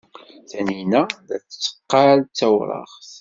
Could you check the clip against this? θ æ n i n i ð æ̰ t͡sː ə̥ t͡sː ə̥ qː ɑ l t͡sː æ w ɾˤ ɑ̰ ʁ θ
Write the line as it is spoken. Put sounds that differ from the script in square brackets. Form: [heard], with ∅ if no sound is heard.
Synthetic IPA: θ æ n i n [æ] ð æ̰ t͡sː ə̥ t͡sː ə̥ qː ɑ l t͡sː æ w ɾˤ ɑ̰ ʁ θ

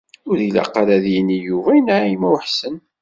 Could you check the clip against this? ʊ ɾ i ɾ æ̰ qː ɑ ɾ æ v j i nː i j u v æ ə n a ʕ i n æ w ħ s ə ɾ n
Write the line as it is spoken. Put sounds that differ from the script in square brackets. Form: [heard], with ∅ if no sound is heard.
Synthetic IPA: ʊ ɾ i [l] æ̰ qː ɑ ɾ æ [ð] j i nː i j u v æ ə n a ʕ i [m] æ w ħ s ə [∅] n

